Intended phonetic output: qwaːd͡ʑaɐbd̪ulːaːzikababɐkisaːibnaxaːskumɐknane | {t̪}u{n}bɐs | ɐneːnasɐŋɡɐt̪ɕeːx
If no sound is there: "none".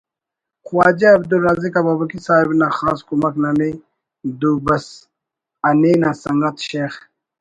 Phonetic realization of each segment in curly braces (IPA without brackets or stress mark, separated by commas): d̪, none